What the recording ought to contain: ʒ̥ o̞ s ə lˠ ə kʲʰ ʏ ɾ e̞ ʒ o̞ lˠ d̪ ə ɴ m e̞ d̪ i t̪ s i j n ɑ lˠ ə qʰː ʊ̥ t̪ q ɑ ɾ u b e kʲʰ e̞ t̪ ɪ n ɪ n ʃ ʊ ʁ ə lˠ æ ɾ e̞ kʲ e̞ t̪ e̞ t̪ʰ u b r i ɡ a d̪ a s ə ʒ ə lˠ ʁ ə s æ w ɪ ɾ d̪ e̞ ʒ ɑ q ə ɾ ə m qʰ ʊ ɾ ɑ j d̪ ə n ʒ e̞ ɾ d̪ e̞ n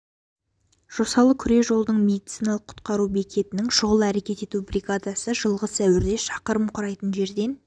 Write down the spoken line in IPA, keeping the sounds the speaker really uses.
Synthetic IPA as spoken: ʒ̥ o̞ s ɑ lˠ ə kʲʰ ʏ ɾ e̞ ʒ o̞ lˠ d̪ ə ɴ m e̞ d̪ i t̪ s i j n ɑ lˠ ə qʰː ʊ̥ t̪ q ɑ ɾ u b e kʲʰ e̞ t̪ ɪ n ɪ ŋ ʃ ʊ ʁ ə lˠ æ ɾ e̞ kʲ e̞ t̪ e̞ t̪ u b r i ɡ a d̪ a s ə ʒ ə lˠ ʁ ə s æ w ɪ ɾ d̪ e̞ ʃ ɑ q ə ɾ ə m qʰ ʊ ɾ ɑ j t̪ ə n ʒ e̞ ɾ d̪ e̞ n

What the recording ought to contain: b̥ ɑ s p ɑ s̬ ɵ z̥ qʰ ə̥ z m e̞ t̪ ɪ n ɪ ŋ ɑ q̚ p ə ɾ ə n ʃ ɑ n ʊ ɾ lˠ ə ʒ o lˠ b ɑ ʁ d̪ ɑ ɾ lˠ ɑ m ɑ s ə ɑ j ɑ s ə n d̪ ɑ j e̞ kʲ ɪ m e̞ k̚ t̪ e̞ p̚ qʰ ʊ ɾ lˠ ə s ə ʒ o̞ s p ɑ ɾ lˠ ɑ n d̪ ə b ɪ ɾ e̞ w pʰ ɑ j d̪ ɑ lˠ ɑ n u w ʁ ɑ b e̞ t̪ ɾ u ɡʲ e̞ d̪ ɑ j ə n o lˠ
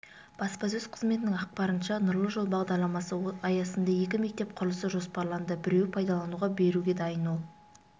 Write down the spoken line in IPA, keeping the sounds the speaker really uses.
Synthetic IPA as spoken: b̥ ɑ s p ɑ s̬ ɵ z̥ qʰ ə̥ z m e̞ t̪ ɪ n ɪ ŋ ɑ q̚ p ɑ ɾ ə n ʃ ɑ n ʊ ɾ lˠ ə ʒ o lˠ b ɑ ʁ d̪ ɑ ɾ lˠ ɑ m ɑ s ə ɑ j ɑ s ə n d̪ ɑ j e̞ kʲ ɪ m e̞ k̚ t̪ e̞ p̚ qʰ ʊ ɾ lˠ ə s ə ʒ o̞ s p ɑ ɾ lˠ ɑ n d̪ ə b ɪ ɾ e̞ w pʰ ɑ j d̪ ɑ lˠ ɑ n u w ʁ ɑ b e̞ ɾ u ɡʲ e̞ d̪ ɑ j ə n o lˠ

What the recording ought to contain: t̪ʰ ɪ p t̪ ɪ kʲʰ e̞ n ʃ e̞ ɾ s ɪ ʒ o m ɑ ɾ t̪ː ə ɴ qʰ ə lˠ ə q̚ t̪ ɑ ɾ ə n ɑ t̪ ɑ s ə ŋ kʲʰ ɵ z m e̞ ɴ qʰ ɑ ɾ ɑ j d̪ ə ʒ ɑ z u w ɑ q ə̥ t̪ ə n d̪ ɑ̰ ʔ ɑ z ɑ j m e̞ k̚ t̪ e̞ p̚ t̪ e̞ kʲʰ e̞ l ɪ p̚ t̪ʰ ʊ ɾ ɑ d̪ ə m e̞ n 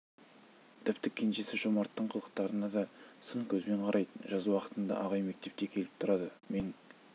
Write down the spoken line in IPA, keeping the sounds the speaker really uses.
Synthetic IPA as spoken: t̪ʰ ɪ p t̪ ɪ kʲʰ e̞ n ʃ e̞ s ɪ ʒ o m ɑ ɾ t̪ː ə ɴ qʰ ə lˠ ə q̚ t̪ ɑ ɾ ə n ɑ d̪ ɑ s ə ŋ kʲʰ ɵ z m e̞ ɴ qʰ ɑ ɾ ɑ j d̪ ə ʒ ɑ z u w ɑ q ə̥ t̪ ə n d̪ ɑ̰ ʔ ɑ ʁ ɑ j m e̞ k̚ t̪ e̞ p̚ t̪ e̞ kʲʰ e̞ l ɪ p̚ t̪ʰ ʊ ɾ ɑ d̪ ə m e̞ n

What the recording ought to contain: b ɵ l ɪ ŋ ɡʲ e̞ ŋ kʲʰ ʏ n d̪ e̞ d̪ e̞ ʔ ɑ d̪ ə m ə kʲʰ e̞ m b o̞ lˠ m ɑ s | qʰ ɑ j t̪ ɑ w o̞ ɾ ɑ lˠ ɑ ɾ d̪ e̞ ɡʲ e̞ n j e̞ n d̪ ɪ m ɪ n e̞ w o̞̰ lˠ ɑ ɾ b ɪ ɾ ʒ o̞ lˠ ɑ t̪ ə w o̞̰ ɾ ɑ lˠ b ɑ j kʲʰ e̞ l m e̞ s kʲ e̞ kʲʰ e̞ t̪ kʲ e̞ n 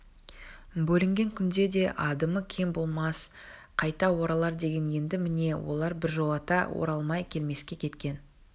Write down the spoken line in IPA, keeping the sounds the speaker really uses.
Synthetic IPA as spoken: b ɵ l ɪ ŋ ɡʲ e̞ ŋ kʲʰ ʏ n d̪ e̞ d̪ e̞ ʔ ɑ d̪ ə m ə kʲʰ e̞ m b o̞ lˠ m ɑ s | qʰ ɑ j t̪ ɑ w o̞ ɾ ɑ lˠ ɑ ɾ d̪ e̞ ɡʲ e̞ n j e̞ n d̪ ɪ m ɪ n e̞ w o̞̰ lˠ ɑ ɾ b ɪ ɾ ʒ o̞ lˠ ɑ t̪ ɑ w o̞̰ ɾ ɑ lˠ m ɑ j kʲʰ e̞ l m e̞ s kʲ e̞ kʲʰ e̞ t̪ kʲ e̞ n

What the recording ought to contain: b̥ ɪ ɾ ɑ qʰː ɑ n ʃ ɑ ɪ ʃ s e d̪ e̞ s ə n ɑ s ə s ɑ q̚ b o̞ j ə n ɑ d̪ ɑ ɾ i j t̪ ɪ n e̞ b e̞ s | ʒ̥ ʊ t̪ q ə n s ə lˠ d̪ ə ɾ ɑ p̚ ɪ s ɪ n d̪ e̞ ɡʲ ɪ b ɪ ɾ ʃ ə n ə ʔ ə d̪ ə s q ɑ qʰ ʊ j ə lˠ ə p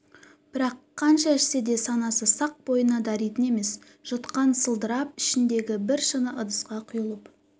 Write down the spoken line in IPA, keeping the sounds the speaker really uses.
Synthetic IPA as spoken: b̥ ɪ ɾ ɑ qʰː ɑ n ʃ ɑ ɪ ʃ s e d̪ e̞ s ɑ n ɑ s ə s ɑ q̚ b o̞ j ə n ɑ d̪ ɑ ɾ i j t̪ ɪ n e̞ m e̞ s | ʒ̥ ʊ t̪ q ɑ n s ə lˠ d̪ ə ɾ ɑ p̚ ɪ ʃ ɪ n d̪ e̞ ɡʲ ɪ b ɪ ɾ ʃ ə n ə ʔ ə d̪ ə s q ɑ qʰ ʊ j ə lˠ ə p

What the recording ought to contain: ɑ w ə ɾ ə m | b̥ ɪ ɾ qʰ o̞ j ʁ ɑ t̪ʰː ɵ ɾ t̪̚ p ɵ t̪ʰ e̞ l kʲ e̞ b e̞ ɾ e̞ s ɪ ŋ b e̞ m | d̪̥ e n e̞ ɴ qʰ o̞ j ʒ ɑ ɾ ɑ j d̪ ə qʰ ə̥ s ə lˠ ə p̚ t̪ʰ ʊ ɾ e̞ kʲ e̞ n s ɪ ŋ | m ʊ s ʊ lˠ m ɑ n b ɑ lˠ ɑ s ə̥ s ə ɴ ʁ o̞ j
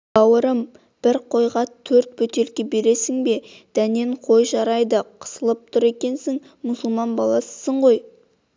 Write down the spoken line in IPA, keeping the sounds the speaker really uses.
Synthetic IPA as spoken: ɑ w ə ɾ ə m | b̥ ɪ ɾ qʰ o̞ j ʁ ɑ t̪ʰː ɵ ɾ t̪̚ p ɵ t̪ e̞ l kʲ e̞ b e̞ ɾ e̞ s ɪ ŋ b e̞ | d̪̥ æ n e̞ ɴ qʰ o̞ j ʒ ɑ ɾ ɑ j d̪ ə qʰ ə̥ s ə lˠ ə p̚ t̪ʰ ʊ ɾ e̞ kʲ e̞ n s ɪ ŋ | m ʊ s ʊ lˠ m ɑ n b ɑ lˠ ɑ s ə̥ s ə ɴ ʁ o̞ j

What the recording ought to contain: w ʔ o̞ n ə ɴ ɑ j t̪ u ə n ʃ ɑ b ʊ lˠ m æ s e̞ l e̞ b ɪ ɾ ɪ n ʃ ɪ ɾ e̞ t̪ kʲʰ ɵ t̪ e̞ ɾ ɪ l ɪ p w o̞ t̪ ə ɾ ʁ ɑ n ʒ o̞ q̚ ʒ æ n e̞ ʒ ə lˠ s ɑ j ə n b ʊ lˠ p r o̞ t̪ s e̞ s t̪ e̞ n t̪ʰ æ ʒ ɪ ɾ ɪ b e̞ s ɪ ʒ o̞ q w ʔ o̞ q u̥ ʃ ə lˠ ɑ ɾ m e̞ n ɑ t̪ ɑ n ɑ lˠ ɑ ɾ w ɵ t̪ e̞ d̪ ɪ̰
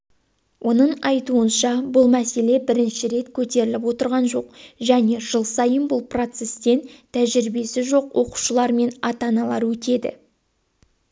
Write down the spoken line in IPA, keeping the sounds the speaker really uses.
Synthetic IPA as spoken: w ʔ o̞ n ə ɴ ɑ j t̪ u ə n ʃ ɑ b ʊ lˠ m æ s e̞ l e̞ b ɪ ɾ ɪ n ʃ ɪ ɾ e̞ t̪ kʲʰ ɵ t̪ e̞ ɾ ɪ l ɪ p w o̞ t̪ ə ɾ ʁ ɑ n ʒ o̞ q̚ ʒ æ n e̞ ʒ ə lˠ s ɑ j ə n b ʊ lˠ p r o̞ t̪ s e̞ s t̪ e̞ n t̪ʰ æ ʒ ɪ ɾ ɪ b e̞ s ɪ ʒ o̞ q w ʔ o̞ q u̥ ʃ ə lˠ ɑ ɾ m e̞ n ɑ t̪ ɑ n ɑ lˠ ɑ ɾ w ɵ t̪ e̞ d̪ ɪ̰

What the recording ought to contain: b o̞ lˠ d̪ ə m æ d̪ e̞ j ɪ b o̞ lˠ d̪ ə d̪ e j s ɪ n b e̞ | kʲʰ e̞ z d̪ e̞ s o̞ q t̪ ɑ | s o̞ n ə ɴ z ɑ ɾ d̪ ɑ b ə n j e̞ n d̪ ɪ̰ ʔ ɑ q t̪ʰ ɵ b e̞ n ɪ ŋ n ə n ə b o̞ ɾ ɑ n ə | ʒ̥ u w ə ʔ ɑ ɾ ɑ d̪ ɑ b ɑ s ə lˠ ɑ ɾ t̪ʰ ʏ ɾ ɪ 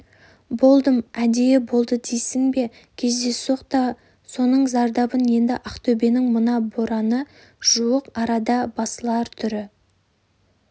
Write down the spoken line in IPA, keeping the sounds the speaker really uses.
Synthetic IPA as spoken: b o̞ lˠ d̪ ə m æ d̪ e̞ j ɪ b o̞ lˠ d̪ ə d̪ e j s ɪ ŋ b e̞ | kʲʰ e̞ z d̪ e̞ s o̞ q t̪ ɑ | s o̞ n ə ɴ z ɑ ɾ d̪ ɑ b ə n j e̞ n d̪ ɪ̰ ʔ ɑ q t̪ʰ ɵ b e̞ n ɪ ŋ m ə n ɑ b o̞ ɾ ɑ n ə | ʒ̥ u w ə q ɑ ɾ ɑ d̪ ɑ b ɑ s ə lˠ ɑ ɾ t̪ʰ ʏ ɾ ɪ

